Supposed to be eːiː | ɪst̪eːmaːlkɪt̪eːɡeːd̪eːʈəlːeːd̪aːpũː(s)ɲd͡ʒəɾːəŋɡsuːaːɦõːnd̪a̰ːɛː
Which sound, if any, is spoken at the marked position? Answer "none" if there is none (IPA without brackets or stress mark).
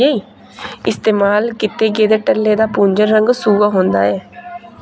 none